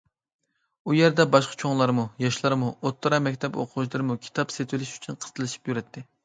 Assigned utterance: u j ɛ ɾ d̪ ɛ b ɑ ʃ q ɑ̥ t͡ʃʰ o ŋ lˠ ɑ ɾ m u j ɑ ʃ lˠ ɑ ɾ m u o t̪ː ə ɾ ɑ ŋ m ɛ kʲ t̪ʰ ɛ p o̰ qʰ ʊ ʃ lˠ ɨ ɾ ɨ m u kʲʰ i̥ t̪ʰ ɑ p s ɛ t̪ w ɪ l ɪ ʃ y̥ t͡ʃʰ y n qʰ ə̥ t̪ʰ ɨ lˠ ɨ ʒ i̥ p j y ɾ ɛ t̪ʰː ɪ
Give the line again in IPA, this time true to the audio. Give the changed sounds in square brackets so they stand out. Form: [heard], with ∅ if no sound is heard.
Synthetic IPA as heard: u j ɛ ɾ d̪ ɛ b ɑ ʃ q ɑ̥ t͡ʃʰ o ŋ lˠ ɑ ɾ m u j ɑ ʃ lˠ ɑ ɾ m u o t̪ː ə ɾ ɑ [∅] m ɛ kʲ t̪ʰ ɛ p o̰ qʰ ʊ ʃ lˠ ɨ ɾ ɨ m u kʲʰ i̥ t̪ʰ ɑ p s [e] t̪ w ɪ l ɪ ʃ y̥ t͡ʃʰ y n qʰ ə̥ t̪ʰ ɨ lˠ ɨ [ʃ] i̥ p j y ɾ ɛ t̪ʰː ɪ